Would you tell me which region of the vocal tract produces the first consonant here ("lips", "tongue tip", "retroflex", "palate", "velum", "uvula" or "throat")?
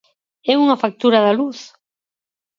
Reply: velum